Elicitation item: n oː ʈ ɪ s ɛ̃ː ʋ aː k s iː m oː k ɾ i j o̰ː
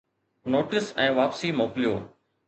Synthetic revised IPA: n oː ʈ ɪ s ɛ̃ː ʋ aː p s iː m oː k l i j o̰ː